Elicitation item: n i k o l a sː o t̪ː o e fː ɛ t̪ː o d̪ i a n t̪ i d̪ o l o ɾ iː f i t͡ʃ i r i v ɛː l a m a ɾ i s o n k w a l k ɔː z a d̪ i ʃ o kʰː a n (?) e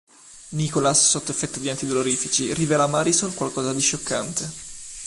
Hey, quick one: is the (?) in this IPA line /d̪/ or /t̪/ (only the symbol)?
t̪